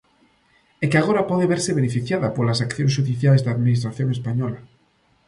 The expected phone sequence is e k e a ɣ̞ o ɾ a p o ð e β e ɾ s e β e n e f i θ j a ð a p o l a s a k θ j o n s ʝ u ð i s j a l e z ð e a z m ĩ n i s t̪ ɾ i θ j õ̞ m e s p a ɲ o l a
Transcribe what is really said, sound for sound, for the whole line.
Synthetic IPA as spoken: e k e a ɣ̞ o ɾ a p o ð e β e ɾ s e β e n e f i θ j a ð a p o l a s a k θ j o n s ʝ u ð i θ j a l e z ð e a ð m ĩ n i s t̪ ɾ a θ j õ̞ ŋ e s p a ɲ o l a